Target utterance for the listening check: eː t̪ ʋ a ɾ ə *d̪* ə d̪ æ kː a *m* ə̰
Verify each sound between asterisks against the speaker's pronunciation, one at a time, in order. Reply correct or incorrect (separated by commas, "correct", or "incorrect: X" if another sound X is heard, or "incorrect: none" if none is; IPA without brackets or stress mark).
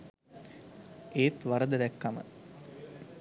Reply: correct, correct